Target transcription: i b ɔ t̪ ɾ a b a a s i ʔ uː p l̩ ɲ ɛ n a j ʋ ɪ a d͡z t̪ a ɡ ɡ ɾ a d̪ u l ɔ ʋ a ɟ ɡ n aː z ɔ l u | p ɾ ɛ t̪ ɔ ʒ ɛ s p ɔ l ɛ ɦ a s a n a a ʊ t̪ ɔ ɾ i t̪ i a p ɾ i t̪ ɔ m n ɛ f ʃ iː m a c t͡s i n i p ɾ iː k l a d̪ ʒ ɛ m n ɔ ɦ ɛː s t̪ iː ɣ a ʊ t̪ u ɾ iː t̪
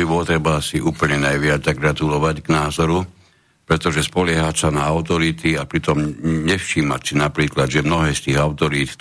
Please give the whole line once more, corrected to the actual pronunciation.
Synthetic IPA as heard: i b ɔ t̪ ɾ ɛ b a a s i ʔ uː p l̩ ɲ ɛ n a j ʋ ɪ a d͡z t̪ a ɡ ɡ ɾ a t̪ u l ɔ ʋ a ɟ ɡ n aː z ɔ ɾ u | p ɾ ɛ t̪ ɔ ʒ ɛ s p ɔ l ɛ ɦ a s a n a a ʊ t̪ ɔ ɾ i t̪ i a p ɾ i t̪ ɔ m ɲ ɛ f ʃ iː m a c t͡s i n a p ɾ iː k l a d̪ ʒ ɛ m n ɔ ɦ ɛː s t̪ iː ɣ a ʊ t̪ ɔ ɾ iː t̪